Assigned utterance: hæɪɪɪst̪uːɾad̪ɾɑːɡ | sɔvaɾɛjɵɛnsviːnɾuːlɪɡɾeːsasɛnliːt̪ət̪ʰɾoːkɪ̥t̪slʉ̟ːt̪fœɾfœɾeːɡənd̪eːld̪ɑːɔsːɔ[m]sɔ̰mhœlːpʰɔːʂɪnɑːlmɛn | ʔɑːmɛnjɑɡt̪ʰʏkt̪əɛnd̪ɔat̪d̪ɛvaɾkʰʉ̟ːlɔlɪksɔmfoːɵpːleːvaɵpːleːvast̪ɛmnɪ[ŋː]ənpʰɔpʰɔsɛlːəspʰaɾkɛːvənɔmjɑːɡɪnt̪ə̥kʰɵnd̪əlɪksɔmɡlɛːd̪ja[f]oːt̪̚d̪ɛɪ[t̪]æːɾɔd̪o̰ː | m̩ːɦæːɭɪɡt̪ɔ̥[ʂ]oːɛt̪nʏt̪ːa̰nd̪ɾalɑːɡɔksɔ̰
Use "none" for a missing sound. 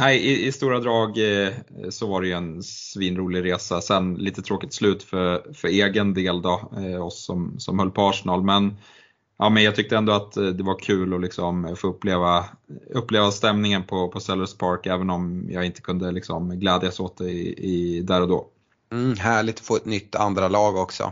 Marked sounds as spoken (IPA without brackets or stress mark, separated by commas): m, ŋ, s, d̪, f